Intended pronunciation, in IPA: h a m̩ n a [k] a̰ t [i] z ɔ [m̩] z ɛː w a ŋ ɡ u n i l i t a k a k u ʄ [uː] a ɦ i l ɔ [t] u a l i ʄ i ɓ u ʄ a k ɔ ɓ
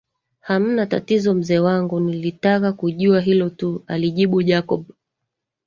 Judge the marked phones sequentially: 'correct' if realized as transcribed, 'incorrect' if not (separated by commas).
incorrect, correct, correct, incorrect, correct